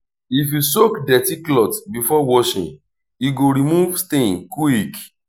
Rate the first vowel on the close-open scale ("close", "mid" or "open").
close